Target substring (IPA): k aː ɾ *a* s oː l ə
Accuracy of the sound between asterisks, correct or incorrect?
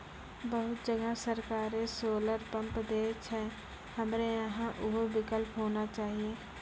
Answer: incorrect